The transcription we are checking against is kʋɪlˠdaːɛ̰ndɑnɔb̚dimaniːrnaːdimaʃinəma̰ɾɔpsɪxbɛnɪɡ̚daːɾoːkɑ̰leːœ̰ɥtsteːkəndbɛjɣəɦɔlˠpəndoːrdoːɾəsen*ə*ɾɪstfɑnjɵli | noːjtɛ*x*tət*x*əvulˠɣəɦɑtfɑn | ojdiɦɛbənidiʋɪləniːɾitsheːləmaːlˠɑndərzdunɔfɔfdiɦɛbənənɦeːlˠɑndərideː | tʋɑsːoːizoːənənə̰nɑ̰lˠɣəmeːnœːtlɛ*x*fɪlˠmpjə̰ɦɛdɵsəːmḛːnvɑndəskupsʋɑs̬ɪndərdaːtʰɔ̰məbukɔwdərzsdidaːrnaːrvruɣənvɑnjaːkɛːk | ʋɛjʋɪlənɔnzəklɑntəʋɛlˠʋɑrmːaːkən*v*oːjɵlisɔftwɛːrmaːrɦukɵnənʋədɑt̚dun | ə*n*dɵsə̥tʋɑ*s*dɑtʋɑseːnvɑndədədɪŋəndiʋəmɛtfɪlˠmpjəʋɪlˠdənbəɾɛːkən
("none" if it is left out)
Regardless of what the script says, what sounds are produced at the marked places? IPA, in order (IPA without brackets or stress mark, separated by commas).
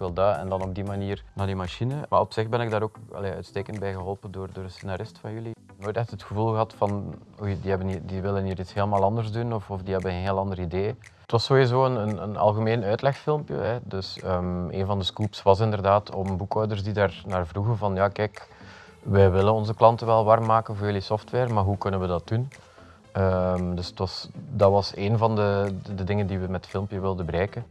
a, x, x, x, v, m, s